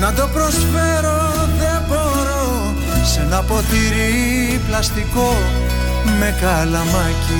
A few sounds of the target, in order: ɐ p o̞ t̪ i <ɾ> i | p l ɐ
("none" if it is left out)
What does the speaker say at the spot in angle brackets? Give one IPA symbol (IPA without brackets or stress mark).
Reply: ɾ